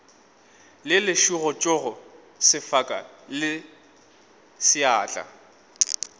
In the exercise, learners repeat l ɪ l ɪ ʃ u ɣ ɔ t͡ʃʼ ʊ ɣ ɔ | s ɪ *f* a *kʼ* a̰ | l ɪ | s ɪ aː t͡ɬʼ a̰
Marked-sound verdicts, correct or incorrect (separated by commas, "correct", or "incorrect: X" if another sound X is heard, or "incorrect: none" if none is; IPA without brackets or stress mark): correct, correct